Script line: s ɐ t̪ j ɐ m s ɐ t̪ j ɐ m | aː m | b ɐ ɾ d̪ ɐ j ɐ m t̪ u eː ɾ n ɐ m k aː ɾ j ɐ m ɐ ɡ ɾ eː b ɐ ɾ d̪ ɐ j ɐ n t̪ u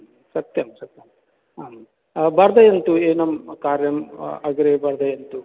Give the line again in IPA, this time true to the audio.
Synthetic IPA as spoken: s ɐ t̪ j ɐ m s ɐ t̪ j ɐ m | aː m | b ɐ ɾ d̪ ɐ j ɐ n t̪ u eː n ɐ m k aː ɾ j ɐ m ɐ ɡ ɾ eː b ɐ ɾ d̪ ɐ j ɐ n t̪ u